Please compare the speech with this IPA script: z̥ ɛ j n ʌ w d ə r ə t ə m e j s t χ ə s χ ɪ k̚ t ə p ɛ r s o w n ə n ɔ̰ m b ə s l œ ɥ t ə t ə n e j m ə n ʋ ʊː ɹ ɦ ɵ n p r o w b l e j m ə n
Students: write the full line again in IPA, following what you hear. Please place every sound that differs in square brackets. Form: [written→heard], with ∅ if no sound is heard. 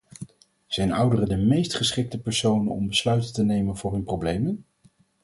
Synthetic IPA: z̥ ɛ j n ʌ w d ə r ə [t→d] ə m e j s t χ ə s χ ɪ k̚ t ə p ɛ [r→ɹ] s o w n ə n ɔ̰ m b ə s l œ ɥ t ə t ə n e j m ə n [ʋ→v] ʊː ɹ ɦ ɵ n p r o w b l e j m ə n